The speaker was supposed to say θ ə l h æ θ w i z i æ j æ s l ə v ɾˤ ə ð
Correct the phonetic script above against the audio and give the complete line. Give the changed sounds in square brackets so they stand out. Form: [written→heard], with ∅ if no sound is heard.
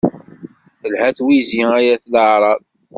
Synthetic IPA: θ ə l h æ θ w i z i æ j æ [s→θ] l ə [v→ʕ] ɾˤ [ə→ɑ] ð